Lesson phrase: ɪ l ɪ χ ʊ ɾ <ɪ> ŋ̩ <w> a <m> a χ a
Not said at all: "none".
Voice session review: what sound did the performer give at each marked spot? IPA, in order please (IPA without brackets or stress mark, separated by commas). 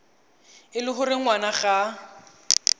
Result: ɪ, w, n